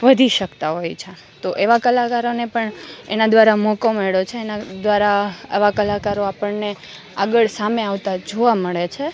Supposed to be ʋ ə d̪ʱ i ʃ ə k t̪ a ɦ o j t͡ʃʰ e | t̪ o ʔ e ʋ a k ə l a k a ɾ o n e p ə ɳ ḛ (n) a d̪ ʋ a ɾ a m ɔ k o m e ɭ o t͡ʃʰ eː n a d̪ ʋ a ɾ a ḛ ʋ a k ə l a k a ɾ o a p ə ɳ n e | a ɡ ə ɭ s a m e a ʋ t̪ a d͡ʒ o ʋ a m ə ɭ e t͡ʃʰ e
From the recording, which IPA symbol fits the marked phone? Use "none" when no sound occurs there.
n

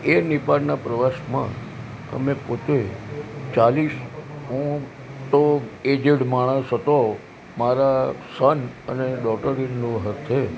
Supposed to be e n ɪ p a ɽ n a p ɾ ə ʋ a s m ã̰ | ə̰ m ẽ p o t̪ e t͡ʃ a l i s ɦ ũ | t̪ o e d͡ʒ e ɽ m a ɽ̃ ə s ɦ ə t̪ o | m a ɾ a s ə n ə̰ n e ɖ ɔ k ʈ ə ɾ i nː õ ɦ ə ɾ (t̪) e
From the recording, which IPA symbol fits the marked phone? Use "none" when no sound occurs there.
t̪ʰ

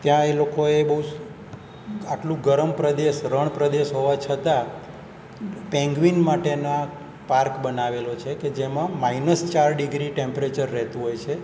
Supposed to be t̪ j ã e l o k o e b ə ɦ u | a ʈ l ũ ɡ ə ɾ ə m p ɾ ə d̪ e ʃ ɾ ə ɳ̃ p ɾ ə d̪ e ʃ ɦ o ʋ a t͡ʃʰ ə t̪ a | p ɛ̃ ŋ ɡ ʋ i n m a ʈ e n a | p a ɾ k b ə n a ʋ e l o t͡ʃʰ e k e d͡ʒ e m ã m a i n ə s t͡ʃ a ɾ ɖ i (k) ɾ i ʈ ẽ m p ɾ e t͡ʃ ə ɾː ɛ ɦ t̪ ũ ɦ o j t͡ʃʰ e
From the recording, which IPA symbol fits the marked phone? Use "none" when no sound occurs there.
ɡ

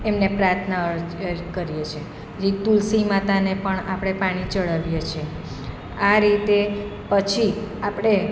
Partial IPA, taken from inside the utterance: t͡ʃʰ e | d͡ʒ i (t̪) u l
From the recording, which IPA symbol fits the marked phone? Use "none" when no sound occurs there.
t̪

